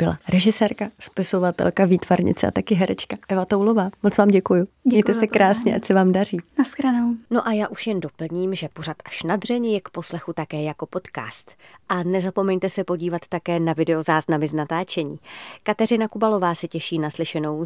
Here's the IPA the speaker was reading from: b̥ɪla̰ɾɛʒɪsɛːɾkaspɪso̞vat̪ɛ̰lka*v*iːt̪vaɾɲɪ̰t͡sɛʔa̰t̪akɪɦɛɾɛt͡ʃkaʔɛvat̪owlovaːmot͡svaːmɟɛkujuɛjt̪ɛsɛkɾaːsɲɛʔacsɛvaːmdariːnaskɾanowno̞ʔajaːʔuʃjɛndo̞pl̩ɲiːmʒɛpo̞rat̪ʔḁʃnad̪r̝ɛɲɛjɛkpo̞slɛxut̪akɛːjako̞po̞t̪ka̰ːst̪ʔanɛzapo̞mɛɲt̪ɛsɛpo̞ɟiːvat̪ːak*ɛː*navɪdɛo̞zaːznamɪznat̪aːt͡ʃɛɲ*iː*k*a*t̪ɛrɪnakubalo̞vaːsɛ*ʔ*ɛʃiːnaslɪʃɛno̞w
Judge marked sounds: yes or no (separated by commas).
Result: yes, yes, yes, yes, no